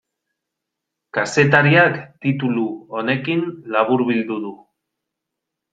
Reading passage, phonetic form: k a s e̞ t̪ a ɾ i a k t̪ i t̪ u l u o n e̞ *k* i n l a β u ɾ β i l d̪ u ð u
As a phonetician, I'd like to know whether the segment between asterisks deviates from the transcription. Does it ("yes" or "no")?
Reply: no